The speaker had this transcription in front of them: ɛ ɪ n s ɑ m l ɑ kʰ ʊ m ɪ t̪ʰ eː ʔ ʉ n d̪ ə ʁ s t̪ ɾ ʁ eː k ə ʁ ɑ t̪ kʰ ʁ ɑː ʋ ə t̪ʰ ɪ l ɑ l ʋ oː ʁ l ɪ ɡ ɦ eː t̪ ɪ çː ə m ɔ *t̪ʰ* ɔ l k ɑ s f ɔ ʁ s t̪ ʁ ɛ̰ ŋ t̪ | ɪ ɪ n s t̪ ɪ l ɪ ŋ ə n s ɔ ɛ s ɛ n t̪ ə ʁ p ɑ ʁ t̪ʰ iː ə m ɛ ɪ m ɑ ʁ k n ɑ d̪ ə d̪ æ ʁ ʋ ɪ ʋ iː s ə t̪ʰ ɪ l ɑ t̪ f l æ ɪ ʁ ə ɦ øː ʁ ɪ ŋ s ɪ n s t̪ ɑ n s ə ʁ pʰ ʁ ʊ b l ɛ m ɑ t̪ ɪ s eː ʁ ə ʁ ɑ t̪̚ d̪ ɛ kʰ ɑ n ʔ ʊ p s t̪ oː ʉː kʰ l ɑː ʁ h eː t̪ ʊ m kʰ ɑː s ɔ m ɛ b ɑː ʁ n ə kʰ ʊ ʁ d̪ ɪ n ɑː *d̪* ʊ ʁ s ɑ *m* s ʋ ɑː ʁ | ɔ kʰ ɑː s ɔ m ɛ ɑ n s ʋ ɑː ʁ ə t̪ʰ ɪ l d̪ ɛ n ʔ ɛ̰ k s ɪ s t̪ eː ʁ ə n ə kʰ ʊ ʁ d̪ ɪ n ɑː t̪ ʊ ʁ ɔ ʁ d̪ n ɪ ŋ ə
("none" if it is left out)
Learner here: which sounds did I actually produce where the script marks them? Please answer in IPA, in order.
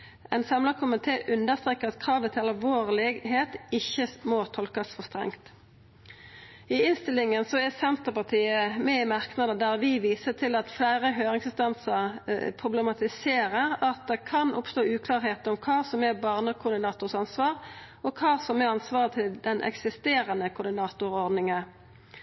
t̪ʰ, t̪, n

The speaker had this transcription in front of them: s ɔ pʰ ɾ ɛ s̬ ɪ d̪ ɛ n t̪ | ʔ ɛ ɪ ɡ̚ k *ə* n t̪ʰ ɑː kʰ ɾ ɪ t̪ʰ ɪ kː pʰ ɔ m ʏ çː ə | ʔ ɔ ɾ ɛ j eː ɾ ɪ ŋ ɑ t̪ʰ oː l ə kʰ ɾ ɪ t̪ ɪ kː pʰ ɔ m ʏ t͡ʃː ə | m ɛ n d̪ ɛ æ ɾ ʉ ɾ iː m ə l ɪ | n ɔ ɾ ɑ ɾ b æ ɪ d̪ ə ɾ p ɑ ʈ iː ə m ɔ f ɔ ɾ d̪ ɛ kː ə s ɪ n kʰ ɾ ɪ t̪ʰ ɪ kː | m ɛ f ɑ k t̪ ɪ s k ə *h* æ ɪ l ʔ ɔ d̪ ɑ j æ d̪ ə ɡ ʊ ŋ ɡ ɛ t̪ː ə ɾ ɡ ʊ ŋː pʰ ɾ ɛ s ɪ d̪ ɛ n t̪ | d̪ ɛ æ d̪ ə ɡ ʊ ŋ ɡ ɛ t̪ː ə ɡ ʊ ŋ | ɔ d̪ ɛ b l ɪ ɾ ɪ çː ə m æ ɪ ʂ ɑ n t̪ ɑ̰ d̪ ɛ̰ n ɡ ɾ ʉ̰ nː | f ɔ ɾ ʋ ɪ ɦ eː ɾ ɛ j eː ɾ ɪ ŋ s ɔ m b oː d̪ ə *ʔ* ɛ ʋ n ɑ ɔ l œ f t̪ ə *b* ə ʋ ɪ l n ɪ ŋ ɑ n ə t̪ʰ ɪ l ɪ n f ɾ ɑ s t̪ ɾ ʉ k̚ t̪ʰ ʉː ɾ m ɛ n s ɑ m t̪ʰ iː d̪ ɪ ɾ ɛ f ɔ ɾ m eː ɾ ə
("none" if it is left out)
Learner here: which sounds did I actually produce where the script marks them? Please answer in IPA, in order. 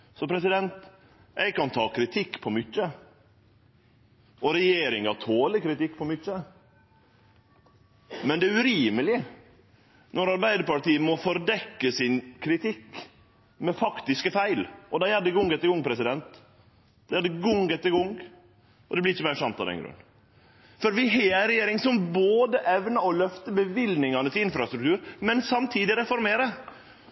ɑ, f, ʔ, b

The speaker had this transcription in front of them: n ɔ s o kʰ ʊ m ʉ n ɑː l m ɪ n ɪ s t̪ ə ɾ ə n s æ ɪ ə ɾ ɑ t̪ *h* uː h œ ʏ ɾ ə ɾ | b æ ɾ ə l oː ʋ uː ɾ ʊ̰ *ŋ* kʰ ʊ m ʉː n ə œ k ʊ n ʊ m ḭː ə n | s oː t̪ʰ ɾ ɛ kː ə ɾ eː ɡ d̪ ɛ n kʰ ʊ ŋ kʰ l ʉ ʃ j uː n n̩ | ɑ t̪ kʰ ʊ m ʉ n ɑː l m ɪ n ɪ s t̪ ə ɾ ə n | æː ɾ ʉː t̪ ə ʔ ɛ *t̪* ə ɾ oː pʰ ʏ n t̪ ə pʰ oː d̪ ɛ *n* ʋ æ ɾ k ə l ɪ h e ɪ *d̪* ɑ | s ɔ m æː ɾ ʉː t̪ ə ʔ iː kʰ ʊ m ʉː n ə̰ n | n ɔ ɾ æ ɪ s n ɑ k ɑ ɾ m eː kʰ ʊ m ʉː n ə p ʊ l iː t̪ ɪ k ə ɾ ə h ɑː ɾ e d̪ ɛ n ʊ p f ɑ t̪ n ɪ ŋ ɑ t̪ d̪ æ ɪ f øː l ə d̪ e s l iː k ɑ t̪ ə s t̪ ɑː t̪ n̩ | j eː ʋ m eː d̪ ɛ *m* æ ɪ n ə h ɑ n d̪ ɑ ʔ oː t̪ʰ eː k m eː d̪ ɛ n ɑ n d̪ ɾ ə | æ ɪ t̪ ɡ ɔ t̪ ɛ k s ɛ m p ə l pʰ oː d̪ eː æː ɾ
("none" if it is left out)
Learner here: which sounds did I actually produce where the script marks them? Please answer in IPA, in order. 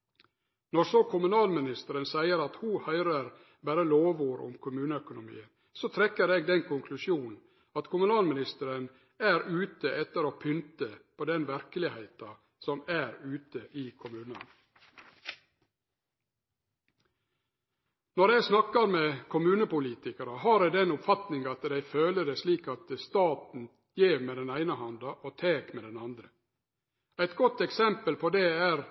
h, m, t̪, n, t̪, n

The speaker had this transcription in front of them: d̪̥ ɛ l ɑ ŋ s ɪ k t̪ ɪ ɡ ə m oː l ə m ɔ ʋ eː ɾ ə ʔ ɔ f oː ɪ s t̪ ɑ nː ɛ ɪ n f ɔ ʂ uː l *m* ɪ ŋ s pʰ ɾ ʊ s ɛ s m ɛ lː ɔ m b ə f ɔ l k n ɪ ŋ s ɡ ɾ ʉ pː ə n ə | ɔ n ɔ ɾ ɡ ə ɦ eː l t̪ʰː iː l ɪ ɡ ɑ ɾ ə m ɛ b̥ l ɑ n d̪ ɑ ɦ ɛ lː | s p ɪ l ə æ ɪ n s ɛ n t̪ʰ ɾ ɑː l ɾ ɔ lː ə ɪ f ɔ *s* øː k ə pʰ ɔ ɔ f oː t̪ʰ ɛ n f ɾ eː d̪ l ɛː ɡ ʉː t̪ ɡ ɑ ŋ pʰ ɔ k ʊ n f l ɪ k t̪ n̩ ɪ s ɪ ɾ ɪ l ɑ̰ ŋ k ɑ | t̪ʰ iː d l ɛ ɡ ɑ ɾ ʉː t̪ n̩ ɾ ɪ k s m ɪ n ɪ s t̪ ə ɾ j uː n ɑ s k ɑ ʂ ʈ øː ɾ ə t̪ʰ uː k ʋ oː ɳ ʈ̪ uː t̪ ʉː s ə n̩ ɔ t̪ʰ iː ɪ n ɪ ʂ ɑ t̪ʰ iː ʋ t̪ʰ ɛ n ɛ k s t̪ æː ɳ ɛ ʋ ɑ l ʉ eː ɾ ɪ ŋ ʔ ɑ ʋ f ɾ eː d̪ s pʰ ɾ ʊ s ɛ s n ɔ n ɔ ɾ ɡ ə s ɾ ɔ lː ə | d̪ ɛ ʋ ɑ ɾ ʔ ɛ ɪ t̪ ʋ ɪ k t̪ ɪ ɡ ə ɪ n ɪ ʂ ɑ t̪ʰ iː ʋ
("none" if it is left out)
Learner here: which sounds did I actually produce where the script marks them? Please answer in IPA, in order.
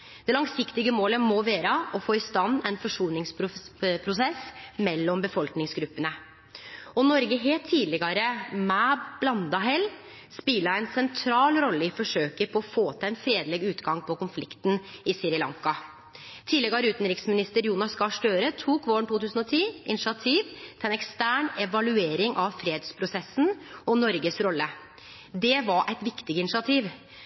n, ʂ

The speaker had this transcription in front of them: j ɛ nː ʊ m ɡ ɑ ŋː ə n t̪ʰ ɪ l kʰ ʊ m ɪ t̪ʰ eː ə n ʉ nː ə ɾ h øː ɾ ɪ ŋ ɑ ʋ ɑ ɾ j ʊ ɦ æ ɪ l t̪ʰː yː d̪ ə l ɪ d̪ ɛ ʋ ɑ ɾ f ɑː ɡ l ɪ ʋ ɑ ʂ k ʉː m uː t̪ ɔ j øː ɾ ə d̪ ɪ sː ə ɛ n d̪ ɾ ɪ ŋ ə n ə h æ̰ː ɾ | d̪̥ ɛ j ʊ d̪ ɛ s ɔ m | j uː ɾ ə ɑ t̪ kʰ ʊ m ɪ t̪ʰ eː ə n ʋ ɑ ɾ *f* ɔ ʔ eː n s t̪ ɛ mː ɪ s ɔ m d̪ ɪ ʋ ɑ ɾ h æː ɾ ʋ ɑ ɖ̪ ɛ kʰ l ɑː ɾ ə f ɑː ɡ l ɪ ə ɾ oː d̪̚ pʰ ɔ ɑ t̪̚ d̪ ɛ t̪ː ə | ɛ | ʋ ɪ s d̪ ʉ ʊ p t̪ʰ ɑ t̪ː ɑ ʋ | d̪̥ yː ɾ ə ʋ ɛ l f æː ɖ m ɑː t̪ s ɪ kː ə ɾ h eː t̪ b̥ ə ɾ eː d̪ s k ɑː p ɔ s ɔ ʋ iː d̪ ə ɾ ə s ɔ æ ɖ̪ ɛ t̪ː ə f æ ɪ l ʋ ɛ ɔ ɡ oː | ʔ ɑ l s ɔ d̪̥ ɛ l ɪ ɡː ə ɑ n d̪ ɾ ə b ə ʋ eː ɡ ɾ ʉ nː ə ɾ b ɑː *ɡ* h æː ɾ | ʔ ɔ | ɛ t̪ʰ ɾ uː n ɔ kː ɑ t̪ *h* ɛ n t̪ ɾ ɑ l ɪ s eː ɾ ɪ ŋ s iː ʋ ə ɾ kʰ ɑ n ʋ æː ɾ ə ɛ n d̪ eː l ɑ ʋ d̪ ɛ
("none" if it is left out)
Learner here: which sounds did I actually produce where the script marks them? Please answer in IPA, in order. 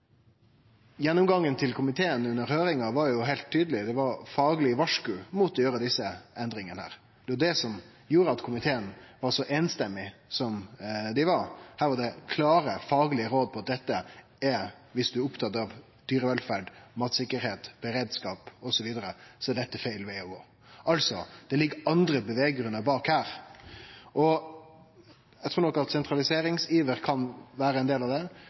ʂ, k, s

